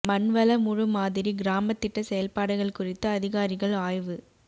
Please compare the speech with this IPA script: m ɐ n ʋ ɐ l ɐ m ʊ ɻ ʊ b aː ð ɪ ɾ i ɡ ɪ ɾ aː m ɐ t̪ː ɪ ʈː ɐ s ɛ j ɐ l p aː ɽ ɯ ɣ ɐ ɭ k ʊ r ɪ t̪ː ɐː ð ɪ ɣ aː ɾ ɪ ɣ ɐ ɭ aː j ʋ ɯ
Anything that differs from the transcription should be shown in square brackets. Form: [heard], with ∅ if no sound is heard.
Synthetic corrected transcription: m ɐ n ʋ ɐ l ɐ m ʊ ɻ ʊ [m] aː ð ɪ ɾ i ɡ ɪ ɾ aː m ɐ t̪ː ɪ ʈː ɐ s ɛ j ɐ l p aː ɽ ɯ ɣ ɐ ɭ k ʊ r ɪ t̪ː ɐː ð ɪ ɣ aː ɾ ɪ ɣ ɐ ɭ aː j ʋ ɯ